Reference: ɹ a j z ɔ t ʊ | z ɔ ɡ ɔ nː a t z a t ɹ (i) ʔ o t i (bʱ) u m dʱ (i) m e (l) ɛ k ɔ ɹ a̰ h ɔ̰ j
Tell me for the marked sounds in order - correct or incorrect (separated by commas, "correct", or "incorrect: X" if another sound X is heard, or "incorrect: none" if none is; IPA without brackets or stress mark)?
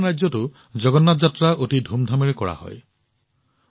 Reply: incorrect: a, incorrect: dʱ, incorrect: a, incorrect: ɹ